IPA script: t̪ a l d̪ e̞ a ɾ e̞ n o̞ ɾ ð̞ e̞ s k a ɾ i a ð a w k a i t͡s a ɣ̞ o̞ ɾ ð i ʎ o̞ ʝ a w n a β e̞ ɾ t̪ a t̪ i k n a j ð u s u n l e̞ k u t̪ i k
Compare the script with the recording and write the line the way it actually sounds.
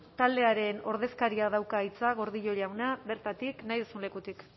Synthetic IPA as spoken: t̪ a l d̪ e̞ a ɾ e̞ n o̞ ɾ ð̞ e̞ s k a ɾ i a ð a w k a i t͡s a ɣ̞ o̞ ɾ ð i ʎ o̞ ʎ a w n a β e̞ ɾ t̪ a t̪ i k n a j ð u s u n l e̞ k u t̪ i k